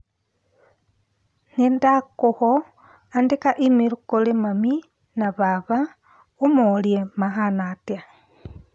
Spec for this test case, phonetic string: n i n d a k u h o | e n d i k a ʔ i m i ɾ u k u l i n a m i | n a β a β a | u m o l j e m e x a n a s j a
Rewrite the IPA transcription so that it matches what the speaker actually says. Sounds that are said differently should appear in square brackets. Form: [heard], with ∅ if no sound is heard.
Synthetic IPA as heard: n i n d a k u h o | [a] n d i k a ʔ i m i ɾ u k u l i [m] a m i | n a β a β a | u m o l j e m [a] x a n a [t] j a